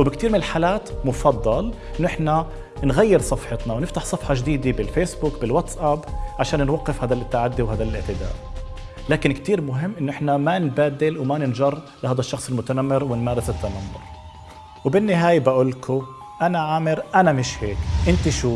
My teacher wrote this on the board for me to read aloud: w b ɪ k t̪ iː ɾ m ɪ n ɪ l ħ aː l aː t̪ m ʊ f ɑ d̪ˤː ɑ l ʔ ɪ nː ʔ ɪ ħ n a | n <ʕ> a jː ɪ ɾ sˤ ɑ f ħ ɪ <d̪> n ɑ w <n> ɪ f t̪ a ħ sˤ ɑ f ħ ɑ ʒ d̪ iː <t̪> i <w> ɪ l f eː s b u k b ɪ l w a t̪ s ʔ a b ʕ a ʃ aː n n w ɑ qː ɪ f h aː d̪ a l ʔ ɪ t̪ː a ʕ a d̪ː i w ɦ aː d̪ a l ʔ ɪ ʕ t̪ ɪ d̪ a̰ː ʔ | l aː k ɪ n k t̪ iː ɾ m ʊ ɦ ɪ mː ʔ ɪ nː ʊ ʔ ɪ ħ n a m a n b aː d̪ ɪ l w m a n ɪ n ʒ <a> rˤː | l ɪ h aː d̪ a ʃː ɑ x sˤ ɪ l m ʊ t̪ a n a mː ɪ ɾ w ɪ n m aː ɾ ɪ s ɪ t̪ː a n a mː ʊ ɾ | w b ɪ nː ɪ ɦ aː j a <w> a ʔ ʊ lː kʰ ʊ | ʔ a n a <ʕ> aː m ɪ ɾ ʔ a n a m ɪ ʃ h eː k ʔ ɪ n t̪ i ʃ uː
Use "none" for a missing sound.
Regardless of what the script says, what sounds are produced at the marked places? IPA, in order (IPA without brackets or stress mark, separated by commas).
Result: ɣ, t̪, n, d̪, b, ɑ, b, ʕ